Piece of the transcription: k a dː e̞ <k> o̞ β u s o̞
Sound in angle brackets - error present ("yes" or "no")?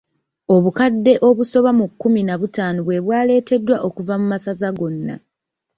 yes